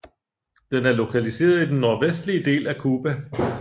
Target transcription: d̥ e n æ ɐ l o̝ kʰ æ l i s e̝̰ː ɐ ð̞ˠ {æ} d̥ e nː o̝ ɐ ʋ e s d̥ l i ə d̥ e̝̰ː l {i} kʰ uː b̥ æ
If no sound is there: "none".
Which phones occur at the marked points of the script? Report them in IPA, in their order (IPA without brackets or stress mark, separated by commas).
i, æ